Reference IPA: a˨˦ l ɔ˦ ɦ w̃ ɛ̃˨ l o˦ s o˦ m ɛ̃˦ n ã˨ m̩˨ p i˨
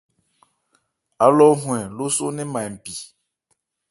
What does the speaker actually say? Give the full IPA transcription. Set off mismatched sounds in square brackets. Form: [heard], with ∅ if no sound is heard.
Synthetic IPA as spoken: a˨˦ l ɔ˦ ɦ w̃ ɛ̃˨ l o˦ s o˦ [n] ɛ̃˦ [m] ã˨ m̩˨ p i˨